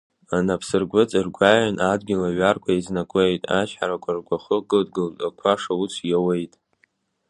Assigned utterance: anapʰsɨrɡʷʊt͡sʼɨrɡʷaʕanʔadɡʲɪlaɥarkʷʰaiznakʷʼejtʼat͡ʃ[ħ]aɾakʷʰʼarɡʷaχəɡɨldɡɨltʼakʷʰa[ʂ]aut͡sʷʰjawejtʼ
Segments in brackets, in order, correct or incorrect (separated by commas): correct, correct